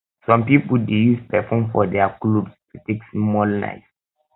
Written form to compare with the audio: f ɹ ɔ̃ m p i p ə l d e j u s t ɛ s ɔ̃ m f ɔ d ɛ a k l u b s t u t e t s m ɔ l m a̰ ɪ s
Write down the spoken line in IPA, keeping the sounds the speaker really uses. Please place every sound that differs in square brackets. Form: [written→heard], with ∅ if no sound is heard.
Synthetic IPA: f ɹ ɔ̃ m p i p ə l d e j u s [t→p] ɛ [s→f] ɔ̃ m f ɔ d ɛ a k l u b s t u t e [t→k] s m ɔ l [m→n] a̰ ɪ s